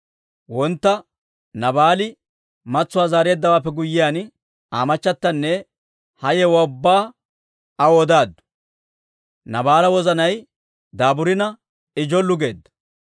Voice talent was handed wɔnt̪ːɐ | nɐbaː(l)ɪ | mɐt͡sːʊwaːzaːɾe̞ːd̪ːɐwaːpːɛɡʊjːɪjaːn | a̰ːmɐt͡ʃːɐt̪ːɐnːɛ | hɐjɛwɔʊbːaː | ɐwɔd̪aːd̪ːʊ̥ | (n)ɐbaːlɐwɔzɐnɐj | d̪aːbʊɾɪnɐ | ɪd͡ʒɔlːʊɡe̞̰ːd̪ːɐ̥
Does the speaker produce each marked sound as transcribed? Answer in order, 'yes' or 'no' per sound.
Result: yes, yes

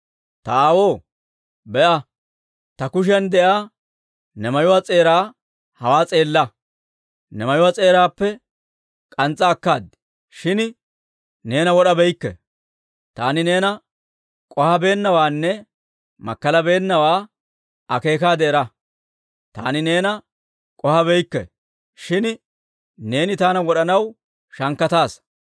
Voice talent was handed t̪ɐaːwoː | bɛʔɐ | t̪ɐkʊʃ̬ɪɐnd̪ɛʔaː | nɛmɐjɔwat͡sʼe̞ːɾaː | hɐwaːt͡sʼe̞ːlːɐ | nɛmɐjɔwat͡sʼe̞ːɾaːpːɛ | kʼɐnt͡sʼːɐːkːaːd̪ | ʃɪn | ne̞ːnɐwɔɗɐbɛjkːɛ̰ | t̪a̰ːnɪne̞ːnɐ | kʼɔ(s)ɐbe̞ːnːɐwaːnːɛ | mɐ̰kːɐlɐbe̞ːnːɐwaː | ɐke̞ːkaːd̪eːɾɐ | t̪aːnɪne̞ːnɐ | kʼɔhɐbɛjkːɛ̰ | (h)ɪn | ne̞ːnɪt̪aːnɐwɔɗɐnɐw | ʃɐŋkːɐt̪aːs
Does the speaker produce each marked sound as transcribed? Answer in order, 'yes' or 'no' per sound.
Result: no, no

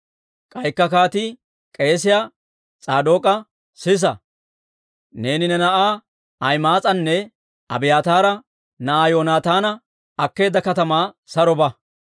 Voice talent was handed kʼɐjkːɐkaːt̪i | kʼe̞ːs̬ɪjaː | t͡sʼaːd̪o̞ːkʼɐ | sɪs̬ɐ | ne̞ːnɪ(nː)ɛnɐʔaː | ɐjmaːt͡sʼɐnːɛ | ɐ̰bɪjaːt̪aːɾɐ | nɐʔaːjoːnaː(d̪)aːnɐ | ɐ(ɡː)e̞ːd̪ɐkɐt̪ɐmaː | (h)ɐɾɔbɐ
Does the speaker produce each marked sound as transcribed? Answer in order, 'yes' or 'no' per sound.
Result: no, no, no, no

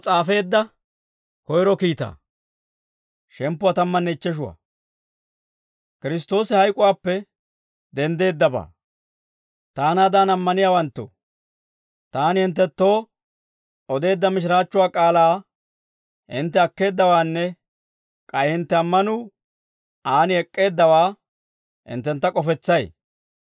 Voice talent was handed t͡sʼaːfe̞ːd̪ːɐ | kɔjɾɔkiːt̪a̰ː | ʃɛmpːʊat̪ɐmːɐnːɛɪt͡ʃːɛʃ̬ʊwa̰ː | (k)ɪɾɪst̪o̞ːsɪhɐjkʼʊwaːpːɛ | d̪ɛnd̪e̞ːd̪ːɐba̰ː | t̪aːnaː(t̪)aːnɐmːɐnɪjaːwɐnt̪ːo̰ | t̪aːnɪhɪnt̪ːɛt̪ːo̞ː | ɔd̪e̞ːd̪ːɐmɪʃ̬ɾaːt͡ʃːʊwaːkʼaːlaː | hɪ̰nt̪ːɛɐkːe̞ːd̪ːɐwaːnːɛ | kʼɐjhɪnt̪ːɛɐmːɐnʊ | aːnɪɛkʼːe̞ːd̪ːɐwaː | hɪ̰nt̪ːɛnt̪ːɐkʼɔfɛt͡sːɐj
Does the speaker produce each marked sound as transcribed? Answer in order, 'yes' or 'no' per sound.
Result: yes, no

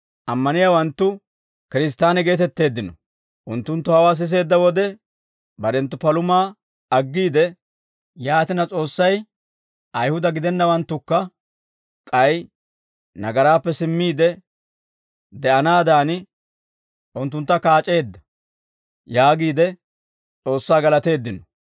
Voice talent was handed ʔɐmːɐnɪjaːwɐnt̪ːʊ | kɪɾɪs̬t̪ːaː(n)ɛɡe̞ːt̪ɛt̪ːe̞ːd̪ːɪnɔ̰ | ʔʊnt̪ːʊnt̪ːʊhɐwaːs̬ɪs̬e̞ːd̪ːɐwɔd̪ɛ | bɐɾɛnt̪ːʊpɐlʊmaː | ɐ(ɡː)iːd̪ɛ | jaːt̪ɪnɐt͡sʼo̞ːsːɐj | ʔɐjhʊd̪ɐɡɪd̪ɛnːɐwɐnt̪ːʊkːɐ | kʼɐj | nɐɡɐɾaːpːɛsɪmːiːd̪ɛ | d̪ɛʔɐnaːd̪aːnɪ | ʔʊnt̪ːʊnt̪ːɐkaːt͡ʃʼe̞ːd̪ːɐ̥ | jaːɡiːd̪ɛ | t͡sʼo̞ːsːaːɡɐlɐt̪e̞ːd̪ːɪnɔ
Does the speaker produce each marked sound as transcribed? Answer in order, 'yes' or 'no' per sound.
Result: yes, yes

